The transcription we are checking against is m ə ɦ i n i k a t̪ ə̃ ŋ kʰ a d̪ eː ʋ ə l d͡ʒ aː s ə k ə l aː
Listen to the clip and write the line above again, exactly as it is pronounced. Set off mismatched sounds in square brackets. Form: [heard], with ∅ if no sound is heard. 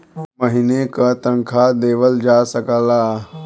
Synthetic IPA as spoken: m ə ɦ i n [e] k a t̪ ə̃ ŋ kʰ a d̪ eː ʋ ə l d͡ʒ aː s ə k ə l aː